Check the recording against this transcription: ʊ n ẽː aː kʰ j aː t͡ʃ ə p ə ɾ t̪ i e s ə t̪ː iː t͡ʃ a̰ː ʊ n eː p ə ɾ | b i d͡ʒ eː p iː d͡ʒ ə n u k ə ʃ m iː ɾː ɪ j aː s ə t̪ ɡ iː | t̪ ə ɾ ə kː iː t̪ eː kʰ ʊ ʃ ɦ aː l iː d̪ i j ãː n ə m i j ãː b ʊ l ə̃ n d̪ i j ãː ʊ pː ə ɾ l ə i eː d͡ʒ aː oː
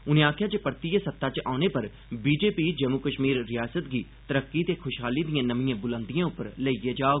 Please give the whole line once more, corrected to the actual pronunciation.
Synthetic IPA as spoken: ʊ n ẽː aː kʰ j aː t͡ʃ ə p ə ɾ t̪ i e s ə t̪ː aː t͡ʃ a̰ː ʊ n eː p ə ɾ | b iː d͡ʒ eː p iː d͡ʒ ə m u k ə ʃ m iː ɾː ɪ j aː s ə t̪ ɡ iː | t̪ ə ɾ ə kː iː t̪ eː kʰ ʊ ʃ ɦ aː l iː d̪ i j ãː n ə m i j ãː b ʊ l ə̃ n d̪ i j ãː ʊ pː ə ɾ l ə i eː d͡ʒ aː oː

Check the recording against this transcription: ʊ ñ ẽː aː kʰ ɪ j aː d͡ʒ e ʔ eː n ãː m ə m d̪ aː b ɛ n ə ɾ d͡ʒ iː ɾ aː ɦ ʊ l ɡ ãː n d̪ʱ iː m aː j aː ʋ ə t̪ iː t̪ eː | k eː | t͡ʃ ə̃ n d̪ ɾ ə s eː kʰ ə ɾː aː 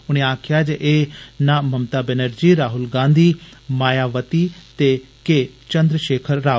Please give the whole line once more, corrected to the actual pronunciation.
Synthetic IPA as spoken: ʊ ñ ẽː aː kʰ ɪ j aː d͡ʒ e ʔ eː n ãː m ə m t̪ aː b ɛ n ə ɾ d͡ʒ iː ɾ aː ɦ ʊ l ɡ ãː n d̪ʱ iː m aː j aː ʋ ə t̪ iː t̪ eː | k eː | t͡ʃ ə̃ n d̪ ɾ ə ʃ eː kʰ ə ɾː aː

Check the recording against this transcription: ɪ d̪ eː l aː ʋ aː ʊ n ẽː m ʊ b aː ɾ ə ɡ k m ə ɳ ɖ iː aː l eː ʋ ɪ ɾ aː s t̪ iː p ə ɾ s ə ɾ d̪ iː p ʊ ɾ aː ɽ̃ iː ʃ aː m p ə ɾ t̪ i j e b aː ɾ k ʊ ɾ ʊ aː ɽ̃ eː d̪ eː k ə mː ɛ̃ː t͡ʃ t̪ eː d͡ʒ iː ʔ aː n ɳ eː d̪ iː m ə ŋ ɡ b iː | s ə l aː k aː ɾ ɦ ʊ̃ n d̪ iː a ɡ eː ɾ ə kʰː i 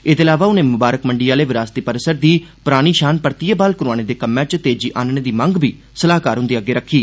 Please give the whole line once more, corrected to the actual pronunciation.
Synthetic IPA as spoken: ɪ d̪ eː l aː ʋ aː ʊ n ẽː m ʊ b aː ɾ ə k m ə ɳ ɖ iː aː l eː ʋ ɪ ɾ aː s t̪ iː p ə ɾ s ə ɾ d̪ iː p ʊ ɾ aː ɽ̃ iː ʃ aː n p ə ɾ t̪ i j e b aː l k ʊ ɾ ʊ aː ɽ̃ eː d̪ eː k ə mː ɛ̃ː t͡ʃ t̪ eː d͡ʒ iː ʔ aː n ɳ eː d̪ iː m ə ŋ ɡ b iː | s ə l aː k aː ɾ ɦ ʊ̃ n d̪ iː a ɡ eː ɾ ə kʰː iː

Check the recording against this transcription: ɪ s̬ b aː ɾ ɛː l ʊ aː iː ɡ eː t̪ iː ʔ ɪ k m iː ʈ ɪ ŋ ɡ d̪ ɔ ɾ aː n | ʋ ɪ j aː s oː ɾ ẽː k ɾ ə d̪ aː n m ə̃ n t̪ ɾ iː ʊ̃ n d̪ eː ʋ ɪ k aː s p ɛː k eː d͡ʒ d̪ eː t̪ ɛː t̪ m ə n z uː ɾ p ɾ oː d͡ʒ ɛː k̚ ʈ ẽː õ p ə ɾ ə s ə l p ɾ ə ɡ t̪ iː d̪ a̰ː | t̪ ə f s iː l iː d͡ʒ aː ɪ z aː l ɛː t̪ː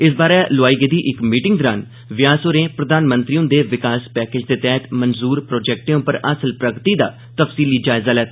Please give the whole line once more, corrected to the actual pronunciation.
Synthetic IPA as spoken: ɪ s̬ b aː ɾ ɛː l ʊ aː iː ɡ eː d̪ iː ʔ ɪ k m iː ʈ ɪ ŋ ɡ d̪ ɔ ɾ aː n | ʋ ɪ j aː s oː ɾ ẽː p ɾ ə d̪ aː n m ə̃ n t̪ ɾ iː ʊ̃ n d̪ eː ʋ ɪ k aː s p ɛː k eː d͡ʒ d̪ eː t̪ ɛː t̪ m ə n z uː ɾ p ɾ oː d͡ʒ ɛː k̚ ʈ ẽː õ p ə ɾ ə s ə l p ɾ ə ɡ t̪ iː d̪ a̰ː | t̪ ə f s iː l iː d͡ʒ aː ɪ z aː l ɛː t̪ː

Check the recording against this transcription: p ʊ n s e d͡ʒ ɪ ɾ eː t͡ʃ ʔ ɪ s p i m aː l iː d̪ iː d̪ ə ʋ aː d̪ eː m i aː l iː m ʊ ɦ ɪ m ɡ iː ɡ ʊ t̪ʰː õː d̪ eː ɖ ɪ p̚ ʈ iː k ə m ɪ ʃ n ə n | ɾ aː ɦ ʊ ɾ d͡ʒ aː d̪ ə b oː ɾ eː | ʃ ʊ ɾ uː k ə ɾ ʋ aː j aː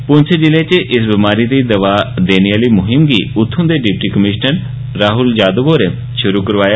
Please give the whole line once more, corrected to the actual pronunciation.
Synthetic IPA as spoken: p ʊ n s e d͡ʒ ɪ l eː t͡ʃ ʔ ɪ s b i m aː ɾ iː d̪ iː d̪ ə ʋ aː d̪ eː n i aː l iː m ʊ ɦ ɪ m ɡ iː ʊ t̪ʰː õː d̪ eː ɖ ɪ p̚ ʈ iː k ə m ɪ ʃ n ə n | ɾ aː ɦ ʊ l d͡ʒ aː d̪ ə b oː ɾ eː | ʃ ʊ ɾ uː k ə ɾ ʋ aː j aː

